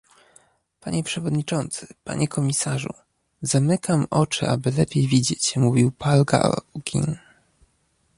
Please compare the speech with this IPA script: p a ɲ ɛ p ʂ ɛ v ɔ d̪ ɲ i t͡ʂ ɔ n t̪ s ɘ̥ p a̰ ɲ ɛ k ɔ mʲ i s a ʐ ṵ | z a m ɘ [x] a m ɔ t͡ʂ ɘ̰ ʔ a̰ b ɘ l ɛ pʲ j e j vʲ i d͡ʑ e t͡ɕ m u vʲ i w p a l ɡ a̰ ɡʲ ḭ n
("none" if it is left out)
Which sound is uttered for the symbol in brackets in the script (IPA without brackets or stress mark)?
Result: k